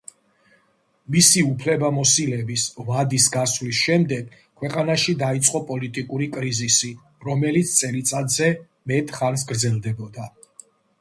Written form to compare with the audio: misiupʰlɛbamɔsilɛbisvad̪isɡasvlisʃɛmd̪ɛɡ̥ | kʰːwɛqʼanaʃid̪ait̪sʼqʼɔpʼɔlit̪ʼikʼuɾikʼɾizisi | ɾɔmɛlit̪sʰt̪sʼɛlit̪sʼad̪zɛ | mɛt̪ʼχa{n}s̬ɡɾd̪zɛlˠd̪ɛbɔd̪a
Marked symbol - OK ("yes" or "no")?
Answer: yes